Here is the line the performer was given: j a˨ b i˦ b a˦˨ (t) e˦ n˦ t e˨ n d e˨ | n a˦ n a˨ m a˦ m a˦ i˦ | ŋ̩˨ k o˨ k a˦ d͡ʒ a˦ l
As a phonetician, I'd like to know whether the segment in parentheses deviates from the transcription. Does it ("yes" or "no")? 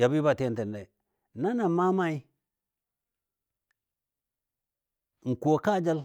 no